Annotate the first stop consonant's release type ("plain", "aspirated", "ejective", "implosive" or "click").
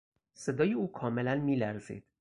plain